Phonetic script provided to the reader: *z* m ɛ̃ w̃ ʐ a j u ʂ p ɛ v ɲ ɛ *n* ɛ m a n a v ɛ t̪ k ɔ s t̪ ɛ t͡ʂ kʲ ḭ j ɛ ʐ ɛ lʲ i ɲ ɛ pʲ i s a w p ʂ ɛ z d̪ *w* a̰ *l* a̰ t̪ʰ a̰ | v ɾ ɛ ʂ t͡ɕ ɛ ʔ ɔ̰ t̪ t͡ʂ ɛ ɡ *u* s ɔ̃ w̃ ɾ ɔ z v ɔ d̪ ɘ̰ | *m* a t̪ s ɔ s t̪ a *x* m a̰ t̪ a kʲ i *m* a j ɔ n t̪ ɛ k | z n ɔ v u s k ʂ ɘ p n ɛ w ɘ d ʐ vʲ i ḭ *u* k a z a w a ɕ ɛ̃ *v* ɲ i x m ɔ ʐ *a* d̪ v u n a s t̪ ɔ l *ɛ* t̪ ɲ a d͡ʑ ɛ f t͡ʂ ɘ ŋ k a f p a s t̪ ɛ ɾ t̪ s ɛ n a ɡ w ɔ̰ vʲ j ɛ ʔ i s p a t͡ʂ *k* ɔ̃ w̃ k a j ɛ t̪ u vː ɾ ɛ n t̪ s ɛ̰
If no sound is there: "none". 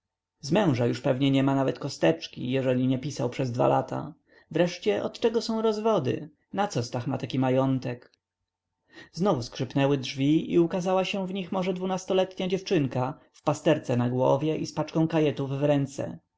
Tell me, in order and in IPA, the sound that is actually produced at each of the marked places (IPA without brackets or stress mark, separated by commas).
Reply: z, ɲ, v, l, ɔ, n, x, m, u, v, ɛ, ɛ, k